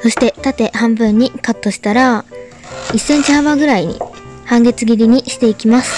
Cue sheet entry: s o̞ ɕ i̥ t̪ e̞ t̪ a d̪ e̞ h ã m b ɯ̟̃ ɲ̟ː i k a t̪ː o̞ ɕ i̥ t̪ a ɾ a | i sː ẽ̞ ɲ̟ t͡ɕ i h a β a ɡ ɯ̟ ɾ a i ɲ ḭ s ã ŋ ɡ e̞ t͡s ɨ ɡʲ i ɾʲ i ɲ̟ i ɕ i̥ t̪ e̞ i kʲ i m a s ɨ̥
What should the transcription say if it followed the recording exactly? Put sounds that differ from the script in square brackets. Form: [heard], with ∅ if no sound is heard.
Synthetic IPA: s o̞ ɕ i̥ t̪ e̞ t̪ a [t̪] e̞ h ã m b ɯ̟̃ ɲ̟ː i k a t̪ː o̞ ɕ i̥ t̪ a ɾ a | i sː ẽ̞ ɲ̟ t͡ɕ i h a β a ɡ ɯ̟ ɾ a i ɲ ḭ [h] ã ŋ ɡ e̞ t͡s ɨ ɡʲ i ɾʲ i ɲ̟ i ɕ i̥ t̪ e̞ i kʲ i m a s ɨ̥